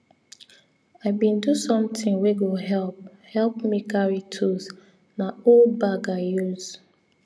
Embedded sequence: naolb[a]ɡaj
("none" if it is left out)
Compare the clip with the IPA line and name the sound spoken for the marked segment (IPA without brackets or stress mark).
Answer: a